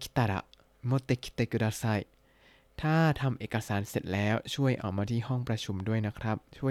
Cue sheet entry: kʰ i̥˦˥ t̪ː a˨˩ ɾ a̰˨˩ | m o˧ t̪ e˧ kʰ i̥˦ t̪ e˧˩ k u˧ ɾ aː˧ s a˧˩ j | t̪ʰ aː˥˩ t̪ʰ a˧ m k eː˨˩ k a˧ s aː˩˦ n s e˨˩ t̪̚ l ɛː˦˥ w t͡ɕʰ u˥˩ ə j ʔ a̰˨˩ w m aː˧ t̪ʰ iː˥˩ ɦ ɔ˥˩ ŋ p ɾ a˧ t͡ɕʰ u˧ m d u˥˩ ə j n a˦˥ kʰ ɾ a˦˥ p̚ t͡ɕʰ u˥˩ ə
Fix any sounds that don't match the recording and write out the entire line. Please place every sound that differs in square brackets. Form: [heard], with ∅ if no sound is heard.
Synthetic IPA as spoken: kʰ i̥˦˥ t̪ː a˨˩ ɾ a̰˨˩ | m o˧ t̪ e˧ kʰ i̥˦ t̪ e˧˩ k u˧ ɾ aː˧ s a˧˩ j | t̪ʰ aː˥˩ t̪ʰ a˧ m [ʔ] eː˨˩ k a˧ s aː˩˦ n s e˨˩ t̪̚ l ɛː˦˥ w t͡ɕʰ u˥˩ ə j ʔ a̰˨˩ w m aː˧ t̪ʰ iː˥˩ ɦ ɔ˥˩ ŋ p ɾ a˧ t͡ɕʰ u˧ m d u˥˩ ə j n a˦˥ kʰ ɾ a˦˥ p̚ t͡ɕʰ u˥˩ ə